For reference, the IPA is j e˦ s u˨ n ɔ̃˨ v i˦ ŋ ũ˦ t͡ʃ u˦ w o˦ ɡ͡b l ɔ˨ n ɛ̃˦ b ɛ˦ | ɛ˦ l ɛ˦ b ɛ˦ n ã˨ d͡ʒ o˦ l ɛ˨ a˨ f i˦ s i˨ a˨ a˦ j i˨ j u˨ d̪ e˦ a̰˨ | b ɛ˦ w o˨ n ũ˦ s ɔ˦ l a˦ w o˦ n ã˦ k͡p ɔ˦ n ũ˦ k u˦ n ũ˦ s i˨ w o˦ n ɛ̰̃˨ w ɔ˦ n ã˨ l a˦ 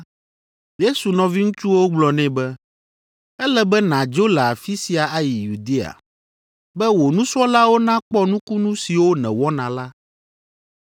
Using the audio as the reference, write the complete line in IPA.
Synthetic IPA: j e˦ s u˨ n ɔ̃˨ v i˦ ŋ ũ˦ t͡ʃ u˦ w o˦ ɡ͡b l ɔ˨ n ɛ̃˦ b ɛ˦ | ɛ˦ l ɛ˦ b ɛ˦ n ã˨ d͡ʒ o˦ l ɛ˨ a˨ f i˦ s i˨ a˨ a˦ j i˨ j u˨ d̪ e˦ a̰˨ | b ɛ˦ w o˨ n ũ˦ s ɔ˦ l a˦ w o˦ n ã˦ k͡p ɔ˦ n ũ˦ k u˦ n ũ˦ s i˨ w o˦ n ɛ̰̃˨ w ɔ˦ n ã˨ l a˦